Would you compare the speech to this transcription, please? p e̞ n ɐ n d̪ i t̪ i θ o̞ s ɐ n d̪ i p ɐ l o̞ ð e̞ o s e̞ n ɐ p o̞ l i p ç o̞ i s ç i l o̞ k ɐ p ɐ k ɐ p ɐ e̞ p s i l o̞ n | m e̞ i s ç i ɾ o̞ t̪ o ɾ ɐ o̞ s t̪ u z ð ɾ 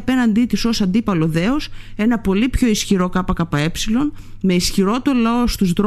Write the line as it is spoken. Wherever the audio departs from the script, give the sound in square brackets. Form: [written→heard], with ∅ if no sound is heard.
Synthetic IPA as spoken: p e̞ n ɐ n d̪ i t̪ i [θ→s] o̞ s ɐ n d̪ i p ɐ l o̞ ð e̞ o s e̞ n ɐ p o̞ l i p ç o̞ i s ç i [l→ɾ] o̞ k ɐ p ɐ k ɐ p ɐ e̞ p s i l o̞ n | m e̞ i s ç i ɾ o̞ t̪ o [ɾ→l] ɐ o̞ s t̪ u z ð ɾ